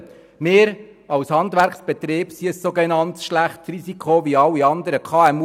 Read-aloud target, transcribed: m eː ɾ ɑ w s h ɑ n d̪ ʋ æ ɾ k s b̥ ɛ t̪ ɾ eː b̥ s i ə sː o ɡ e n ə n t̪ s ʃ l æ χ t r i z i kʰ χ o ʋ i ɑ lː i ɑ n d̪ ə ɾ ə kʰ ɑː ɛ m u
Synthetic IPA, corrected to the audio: m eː ɾ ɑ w s h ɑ n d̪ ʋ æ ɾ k s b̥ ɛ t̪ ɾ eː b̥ s i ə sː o ɡ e n ɑ n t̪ s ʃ l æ χ t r i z i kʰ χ o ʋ i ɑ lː i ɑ n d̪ ə ɾ ə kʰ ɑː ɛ m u